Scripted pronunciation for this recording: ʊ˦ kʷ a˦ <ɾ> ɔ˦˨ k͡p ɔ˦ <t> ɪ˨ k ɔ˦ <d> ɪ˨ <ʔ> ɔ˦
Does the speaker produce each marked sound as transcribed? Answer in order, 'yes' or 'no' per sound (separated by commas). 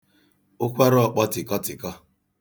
yes, yes, no, no